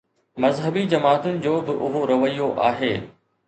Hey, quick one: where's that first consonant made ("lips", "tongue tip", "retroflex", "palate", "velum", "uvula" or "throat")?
lips